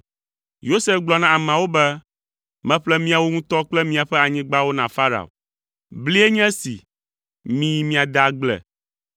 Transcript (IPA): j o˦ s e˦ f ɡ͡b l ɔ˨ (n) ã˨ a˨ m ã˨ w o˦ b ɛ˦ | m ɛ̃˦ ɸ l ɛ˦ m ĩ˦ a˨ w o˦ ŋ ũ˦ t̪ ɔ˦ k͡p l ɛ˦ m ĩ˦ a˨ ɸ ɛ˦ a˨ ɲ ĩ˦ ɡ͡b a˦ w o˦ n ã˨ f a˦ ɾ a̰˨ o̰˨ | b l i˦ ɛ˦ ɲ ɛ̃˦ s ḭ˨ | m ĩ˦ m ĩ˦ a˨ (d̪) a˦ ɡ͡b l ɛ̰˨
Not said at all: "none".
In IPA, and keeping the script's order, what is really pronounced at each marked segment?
n, d̪

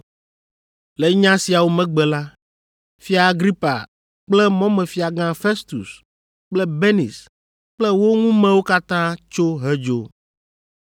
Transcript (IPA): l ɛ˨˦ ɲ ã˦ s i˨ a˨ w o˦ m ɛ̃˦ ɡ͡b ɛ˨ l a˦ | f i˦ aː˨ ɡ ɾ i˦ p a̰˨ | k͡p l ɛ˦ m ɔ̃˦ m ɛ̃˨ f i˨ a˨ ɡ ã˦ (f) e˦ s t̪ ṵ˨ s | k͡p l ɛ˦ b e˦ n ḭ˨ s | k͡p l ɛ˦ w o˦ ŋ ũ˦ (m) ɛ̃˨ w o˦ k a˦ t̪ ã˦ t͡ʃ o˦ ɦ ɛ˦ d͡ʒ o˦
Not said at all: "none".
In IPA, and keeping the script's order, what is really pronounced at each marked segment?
f, m

